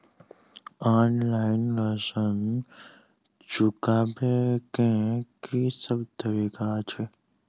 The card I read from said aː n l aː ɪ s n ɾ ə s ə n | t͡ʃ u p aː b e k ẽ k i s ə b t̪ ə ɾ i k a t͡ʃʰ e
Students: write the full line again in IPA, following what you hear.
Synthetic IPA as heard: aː n l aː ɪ n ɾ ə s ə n | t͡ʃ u k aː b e k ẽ k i s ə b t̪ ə ɾ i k a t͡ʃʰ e

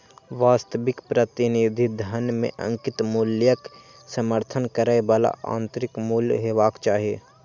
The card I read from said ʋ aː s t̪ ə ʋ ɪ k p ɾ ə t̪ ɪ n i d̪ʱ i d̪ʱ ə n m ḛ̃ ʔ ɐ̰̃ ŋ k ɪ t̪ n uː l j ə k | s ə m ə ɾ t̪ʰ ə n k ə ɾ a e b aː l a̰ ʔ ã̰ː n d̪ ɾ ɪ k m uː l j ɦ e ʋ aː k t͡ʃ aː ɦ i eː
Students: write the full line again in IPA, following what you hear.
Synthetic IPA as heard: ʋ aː s t̪ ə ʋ ɪ k p ɾ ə t̪ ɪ n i d̪ʱ i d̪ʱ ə n m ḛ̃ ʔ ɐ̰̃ ŋ k ɪ t̪ m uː l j ə k | s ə m ə ɾ t̪ʰ ə n k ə ɾ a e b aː l a̰ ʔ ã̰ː n t̪ ɾ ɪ k m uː l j ɦ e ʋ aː k t͡ʃ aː ɦ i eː

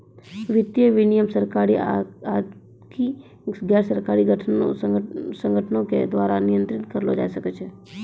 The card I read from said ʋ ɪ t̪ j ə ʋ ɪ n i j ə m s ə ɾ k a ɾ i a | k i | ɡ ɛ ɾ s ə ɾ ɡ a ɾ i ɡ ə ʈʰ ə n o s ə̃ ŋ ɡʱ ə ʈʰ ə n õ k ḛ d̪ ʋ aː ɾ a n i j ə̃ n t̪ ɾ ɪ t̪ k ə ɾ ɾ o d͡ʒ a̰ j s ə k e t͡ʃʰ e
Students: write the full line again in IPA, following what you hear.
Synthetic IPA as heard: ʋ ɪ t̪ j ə ʋ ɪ n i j ə m s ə ɾ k a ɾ i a | k i | ɡ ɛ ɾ s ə ɾ k a ɾ i ɡ ə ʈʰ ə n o s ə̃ ŋ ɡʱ ə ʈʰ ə n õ k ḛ d̪ ʋ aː ɾ a n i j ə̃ n t̪ ɾ ɪ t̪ k ə ɾ l o d͡ʒ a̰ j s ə k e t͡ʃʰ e

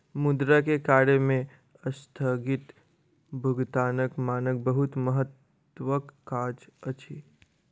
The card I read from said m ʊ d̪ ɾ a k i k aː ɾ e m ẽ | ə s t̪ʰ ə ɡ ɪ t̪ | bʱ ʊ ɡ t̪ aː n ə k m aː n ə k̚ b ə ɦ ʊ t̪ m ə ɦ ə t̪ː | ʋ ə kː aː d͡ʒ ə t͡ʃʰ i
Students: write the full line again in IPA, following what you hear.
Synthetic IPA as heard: m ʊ d̪ ɾ a k e k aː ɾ e m ẽ | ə s t̪ʰ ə ɡ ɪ t̪ | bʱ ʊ ɡ t̪ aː n ə k m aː n ə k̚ b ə ɦ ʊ t̪ m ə ɦ ə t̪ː | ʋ ə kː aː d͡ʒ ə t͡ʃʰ i

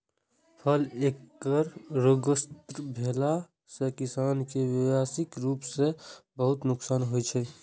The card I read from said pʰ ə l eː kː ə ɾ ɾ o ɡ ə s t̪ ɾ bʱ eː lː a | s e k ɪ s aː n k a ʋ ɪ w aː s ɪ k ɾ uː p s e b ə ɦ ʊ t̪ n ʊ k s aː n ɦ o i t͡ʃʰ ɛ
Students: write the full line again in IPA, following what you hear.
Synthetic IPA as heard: pʰ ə l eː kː ə ɾ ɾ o ɡ ə s t̪ ɾ bʱ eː l a | s e k ɪ s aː n k e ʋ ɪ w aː s ɪ k ɾ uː p s e b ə ɦ ʊ t̪ n ʊ k s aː n ɦ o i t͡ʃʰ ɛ

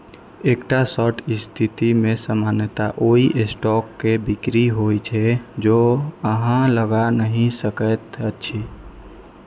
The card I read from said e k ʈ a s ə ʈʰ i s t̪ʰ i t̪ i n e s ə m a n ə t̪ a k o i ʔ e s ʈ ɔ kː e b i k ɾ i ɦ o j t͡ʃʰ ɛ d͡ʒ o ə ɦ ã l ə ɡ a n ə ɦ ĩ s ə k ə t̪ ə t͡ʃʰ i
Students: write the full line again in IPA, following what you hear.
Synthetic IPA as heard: e k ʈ a s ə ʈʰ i s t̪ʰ i t̪ i m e s ə m a n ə t̪ a ʔ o i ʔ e s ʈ ɔ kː e b i k ɾ i ɦ o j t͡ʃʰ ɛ d͡ʒ o ə ɦ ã l ə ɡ a n ə ɦ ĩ s ə k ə t̪ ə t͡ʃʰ i

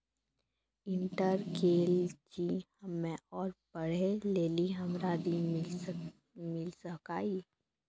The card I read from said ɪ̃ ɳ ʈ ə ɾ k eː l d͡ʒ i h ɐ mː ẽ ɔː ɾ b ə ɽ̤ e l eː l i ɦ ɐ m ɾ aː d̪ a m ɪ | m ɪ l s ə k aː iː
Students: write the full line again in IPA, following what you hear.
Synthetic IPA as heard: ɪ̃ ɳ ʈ ə ɾ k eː l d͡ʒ i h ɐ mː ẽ ɔː ɾ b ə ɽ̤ e l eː l i ɦ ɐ m ɾ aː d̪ i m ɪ | m ɪ l s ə k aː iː

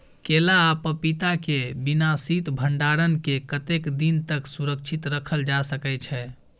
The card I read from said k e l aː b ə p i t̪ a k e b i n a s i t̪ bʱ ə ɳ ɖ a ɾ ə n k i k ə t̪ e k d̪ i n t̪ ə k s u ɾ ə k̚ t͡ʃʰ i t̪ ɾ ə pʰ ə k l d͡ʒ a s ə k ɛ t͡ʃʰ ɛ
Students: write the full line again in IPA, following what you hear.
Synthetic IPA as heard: k e l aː p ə p i t̪ a k e b i n a s i t̪ bʱ ə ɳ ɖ a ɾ ə n k e k ə t̪ e k d̪ i n t̪ ə k s u ɾ ə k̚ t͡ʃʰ i t̪ ɾ ə kʰ ə l d͡ʒ a s ə k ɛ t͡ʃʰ ɛ

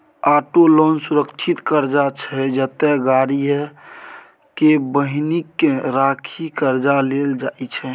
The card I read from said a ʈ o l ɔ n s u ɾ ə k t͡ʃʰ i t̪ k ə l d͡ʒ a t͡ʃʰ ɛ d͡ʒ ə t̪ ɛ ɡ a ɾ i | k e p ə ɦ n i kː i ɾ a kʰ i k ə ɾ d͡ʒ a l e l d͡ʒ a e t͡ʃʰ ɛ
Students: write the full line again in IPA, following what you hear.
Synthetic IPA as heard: a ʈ o l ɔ n s u ɾ ə k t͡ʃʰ i t̪ k ə ɾ d͡ʒ a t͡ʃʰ ɛ d͡ʒ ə t̪ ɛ ɡ a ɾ i | k e b ə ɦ n i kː e ɾ a kʰ i k ə ɾ d͡ʒ a l e l d͡ʒ a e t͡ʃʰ ɛ

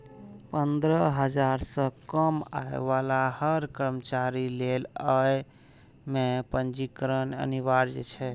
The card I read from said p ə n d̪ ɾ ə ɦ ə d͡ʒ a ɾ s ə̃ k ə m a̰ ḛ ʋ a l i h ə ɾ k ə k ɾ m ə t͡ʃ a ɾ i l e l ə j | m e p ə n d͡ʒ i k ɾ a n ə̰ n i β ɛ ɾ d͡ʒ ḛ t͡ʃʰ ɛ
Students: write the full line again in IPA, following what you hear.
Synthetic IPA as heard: p ə n d̪ ɾ ə ɦ ə d͡ʒ a ɾ s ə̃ k ə m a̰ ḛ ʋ a l a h ə ɾ k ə ɾ m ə t͡ʃ a ɾ i l e l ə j | m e p ə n d͡ʒ i k ɾ ə n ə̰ n i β a ɾ d͡ʒ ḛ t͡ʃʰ ɛ

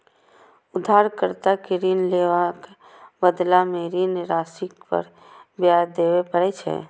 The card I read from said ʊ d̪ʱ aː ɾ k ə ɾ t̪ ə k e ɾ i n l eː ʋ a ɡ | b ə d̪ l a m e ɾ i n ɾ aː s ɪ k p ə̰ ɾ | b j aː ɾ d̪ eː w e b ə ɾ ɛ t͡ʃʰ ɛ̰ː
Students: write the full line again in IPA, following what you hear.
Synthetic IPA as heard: ʊ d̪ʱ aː ɾ k ə ɾ t̪ a k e ɾ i n l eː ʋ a k | b ə d̪ l a m e ɾ i n ɾ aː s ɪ k p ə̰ ɾ | b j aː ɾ d̪ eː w e p ə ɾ ɛ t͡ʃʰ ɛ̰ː

